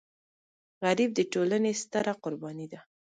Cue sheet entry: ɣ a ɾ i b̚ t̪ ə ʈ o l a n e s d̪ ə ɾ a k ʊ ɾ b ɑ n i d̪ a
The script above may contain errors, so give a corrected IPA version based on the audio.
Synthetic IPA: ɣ a ɾ i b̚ d̪ ə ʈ o l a n e s t̪ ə ɾ a q ʊ ɾ b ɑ n i d̪ a